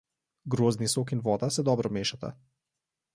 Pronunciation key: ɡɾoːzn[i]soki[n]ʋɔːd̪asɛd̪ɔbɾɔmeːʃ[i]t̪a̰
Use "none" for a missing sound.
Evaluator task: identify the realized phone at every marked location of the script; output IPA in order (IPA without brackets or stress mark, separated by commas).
i, n, a